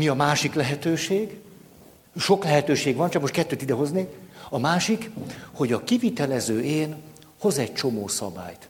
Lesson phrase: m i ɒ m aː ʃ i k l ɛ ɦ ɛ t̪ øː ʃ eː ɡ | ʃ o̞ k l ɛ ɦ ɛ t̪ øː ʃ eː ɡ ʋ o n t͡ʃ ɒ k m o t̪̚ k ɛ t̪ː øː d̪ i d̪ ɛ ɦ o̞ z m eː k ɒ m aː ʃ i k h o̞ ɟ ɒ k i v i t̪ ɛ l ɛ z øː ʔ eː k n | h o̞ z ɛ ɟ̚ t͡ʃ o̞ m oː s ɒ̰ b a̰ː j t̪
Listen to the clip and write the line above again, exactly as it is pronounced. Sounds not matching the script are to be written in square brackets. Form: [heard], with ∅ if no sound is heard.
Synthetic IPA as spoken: m i ɒ m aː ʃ i k l ɛ ɦ ɛ t̪ øː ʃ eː ɡ | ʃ o̞ k l ɛ ɦ ɛ t̪ øː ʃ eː ɡ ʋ [ɒ] n t͡ʃ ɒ k m o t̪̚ k ɛ t̪ː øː [t̪] i d̪ ɛ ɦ o̞ z [n] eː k ɒ m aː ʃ i k h o̞ ɟ ɒ k i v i t̪ ɛ l ɛ z øː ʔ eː [∅] n | h o̞ z ɛ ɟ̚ t͡ʃ o̞ m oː s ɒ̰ b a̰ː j t̪